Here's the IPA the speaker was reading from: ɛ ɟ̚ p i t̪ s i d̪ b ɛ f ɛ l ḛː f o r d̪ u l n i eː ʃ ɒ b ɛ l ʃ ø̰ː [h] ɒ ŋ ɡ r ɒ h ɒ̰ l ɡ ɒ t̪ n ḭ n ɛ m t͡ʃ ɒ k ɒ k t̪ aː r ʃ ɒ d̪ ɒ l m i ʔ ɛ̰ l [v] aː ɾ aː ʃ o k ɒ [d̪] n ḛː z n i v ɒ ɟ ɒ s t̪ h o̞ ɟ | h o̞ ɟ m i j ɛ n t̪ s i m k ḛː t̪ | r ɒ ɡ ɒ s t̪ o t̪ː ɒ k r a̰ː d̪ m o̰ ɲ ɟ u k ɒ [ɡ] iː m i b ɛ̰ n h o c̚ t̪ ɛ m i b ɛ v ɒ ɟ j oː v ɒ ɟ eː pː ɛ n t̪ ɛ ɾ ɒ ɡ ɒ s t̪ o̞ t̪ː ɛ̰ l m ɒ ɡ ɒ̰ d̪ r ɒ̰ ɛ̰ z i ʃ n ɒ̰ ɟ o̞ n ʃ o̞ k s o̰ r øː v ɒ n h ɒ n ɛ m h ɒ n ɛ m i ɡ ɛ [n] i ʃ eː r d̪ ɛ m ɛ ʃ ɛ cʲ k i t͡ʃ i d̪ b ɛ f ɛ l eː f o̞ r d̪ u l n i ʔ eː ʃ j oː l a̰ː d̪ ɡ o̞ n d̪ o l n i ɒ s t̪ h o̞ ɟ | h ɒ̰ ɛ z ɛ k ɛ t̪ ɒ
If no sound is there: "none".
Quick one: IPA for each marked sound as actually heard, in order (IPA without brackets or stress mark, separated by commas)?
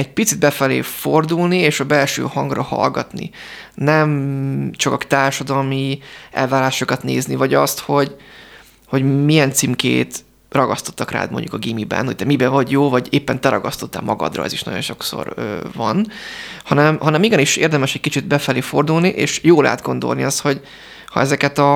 h, v, t̪, ɡ, n